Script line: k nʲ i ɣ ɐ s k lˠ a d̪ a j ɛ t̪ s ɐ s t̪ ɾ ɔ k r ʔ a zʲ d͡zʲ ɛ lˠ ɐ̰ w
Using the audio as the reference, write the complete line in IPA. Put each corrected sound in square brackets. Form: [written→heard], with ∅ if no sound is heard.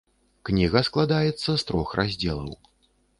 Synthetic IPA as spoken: k nʲ i ɣ ɐ s k lˠ a d̪ a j ɛ t̪ [s→sː] ɐ s t̪ ɾ ɔ [k→x] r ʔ a zʲ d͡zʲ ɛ lˠ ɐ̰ w